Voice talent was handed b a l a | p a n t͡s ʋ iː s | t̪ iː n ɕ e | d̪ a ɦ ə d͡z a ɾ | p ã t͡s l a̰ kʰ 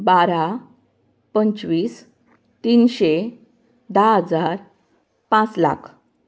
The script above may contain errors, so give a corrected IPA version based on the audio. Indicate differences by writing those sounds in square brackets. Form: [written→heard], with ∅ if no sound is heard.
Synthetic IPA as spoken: b a [l→ɾ] a | p [a→ə] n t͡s ʋ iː s | t̪ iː n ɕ e | d̪ a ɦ ə d͡z a ɾ | p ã t͡s l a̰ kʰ